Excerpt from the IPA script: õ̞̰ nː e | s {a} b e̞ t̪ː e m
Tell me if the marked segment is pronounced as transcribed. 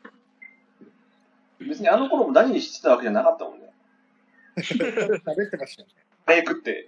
yes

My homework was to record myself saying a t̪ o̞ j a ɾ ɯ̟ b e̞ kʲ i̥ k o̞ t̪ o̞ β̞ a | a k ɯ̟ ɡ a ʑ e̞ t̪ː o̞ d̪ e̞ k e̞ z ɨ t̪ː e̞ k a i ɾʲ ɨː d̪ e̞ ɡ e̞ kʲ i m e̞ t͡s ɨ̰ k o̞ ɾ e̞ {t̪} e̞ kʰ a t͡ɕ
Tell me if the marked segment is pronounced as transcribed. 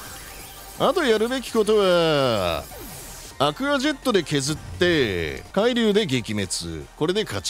no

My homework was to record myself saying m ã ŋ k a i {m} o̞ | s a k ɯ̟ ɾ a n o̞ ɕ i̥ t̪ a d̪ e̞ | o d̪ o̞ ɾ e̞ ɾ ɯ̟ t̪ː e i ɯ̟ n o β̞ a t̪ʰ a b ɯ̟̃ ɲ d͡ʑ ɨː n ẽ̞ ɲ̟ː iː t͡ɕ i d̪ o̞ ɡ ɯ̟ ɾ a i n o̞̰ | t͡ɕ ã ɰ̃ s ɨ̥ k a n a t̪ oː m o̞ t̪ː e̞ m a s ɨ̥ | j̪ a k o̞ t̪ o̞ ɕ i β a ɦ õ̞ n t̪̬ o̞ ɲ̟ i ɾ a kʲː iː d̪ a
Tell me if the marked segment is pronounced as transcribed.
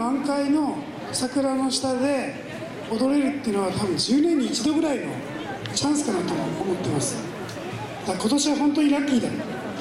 no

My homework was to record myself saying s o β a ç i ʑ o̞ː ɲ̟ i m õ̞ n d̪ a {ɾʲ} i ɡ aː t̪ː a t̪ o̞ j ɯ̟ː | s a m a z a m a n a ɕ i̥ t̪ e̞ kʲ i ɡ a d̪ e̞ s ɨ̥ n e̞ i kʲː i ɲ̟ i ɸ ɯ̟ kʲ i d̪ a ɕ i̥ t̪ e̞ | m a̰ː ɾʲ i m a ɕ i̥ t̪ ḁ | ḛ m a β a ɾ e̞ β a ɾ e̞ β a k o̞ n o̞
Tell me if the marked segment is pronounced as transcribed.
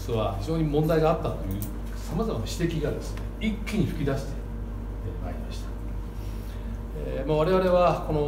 no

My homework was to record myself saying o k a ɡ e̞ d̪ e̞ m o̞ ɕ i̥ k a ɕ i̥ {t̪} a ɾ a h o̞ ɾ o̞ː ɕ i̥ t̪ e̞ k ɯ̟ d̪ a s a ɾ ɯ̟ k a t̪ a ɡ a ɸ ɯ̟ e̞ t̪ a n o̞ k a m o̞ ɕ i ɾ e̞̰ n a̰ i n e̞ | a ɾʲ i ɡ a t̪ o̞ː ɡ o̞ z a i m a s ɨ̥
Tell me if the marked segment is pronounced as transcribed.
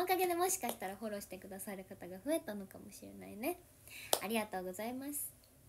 yes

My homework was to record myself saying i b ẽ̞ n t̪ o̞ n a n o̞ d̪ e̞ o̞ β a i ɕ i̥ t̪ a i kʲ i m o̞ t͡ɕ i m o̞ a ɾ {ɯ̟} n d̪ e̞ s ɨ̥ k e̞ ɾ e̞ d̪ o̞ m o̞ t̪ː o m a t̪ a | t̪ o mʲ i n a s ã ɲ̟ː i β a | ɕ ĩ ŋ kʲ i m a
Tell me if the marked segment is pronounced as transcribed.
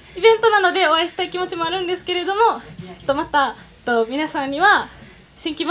no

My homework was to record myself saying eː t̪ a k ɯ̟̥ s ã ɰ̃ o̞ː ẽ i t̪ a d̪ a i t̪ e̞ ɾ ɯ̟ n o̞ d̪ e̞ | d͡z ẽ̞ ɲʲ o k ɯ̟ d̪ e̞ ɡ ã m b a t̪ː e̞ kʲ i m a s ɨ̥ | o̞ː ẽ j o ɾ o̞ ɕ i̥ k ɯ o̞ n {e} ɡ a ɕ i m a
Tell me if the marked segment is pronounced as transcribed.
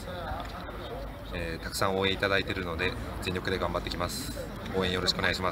yes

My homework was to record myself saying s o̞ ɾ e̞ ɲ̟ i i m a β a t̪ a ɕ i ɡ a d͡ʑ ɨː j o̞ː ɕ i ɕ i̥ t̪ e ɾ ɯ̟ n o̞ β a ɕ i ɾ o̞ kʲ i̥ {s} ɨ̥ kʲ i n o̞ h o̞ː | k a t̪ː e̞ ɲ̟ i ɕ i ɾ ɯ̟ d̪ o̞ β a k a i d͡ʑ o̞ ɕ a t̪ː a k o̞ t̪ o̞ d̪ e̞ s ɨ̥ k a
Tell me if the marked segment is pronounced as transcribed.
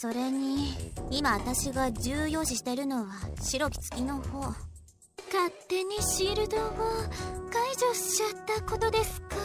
no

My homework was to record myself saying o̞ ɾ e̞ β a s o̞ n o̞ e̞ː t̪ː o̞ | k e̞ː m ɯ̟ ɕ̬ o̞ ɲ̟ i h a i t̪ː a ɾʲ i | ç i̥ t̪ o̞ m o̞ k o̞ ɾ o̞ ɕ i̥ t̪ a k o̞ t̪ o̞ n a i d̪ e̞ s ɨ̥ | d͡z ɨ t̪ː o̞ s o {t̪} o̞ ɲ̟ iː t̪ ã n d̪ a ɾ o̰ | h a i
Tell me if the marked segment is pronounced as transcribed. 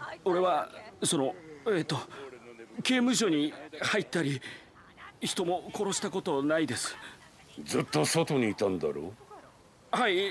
yes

